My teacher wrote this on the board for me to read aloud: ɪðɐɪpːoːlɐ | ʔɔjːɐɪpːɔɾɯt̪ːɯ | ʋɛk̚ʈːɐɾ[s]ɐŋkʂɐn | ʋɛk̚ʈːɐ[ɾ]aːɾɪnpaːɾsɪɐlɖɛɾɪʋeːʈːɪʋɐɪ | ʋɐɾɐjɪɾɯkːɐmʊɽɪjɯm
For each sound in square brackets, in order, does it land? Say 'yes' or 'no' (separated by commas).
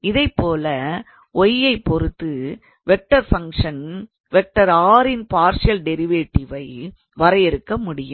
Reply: no, yes